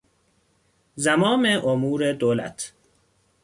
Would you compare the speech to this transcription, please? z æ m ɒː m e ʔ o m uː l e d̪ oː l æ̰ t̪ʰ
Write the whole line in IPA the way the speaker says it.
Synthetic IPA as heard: z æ m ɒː m e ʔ o m uː ɾ e d̪ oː l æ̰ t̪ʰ